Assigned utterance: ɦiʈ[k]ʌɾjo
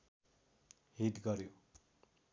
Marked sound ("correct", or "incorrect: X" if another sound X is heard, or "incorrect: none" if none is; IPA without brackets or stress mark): incorrect: ɡ